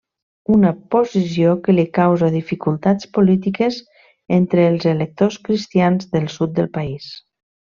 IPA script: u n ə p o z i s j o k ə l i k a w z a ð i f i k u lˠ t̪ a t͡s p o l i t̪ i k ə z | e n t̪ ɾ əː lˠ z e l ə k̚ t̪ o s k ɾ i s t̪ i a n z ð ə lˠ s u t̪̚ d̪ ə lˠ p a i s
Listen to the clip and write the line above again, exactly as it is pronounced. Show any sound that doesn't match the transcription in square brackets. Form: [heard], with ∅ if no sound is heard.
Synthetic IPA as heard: u n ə p o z i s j o k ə l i k a w z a ð i f i k u lˠ t̪ a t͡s p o l i t̪ i k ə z | e n t̪ ɾ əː lˠ z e l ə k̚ t̪ o s k ɾ i s t̪ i a n z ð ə lˠ s u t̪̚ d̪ ə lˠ p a i s